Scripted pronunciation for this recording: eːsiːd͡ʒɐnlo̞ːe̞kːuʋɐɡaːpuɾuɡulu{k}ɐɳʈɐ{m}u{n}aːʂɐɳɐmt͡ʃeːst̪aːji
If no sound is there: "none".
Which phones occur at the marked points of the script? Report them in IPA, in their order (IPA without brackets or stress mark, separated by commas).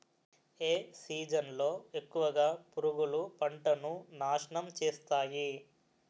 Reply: p, n, n